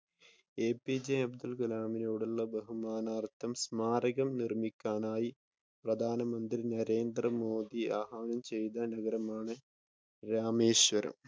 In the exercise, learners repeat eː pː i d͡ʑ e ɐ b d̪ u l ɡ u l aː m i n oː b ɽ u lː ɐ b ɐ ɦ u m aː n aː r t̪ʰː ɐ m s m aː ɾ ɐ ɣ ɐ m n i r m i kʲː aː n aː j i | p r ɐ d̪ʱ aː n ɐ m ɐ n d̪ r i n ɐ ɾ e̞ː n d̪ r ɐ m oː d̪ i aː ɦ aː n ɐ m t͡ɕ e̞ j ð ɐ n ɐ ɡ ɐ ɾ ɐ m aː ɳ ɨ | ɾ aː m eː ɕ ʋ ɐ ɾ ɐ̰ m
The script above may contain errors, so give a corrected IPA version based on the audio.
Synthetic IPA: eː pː i d͡ʑ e ɐ b d̪ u l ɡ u l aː m i n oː ɽ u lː ɐ b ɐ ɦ u m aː n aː r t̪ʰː ɐ m s m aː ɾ ɐ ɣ ɐ m n i r m i kʲː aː n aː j i | p r ɐ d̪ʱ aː n ɐ m ɐ n d̪ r i n ɐ ɾ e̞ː n d̪ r ɐ m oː d̪ i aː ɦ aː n ɐ m t͡ɕ e̞ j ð ɐ n ɐ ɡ ɐ ɾ ɐ m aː ɳ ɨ | ɾ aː m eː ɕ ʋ ɐ ɾ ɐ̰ m

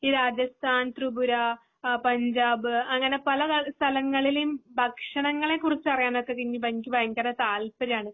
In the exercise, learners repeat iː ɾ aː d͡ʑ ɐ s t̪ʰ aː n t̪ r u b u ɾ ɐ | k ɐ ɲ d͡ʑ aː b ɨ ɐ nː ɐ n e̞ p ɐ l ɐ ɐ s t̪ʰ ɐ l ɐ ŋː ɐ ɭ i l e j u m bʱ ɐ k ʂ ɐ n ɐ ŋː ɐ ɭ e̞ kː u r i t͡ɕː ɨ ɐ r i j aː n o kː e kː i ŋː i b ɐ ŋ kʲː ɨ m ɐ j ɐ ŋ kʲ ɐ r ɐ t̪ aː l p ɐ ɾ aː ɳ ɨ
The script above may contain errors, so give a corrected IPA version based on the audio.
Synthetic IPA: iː ɾ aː d͡ʑ ɐ s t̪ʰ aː n t̪ r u b u ɾ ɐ | p ɐ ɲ d͡ʑ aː b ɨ ɐ ŋː ɐ n e̞ p ɐ l ɐ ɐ s t̪ʰ ɐ l ɐ ŋː ɐ ɭ i l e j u m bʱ ɐ k ʂ ɐ ɳ ɐ ŋː ɐ ɭ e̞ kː u r i t͡ɕː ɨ ɐ r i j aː n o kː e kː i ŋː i b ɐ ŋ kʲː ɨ b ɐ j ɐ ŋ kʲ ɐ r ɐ t̪ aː l p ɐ ɾ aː ɳ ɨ

